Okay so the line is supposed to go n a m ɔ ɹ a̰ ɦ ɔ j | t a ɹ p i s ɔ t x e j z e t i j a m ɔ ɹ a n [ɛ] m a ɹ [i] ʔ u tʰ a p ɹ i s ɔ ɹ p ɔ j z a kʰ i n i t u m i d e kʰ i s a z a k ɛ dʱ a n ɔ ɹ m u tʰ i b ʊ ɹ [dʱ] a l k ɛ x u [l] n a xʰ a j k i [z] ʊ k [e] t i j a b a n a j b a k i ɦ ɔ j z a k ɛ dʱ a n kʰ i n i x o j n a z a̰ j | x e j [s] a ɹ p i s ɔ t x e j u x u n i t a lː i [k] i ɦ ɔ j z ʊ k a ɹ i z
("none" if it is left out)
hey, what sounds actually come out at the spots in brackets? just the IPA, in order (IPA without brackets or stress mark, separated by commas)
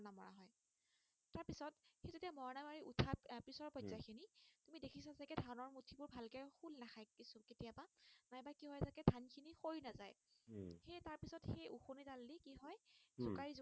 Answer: a, i, bʱ, l, s, e, t, k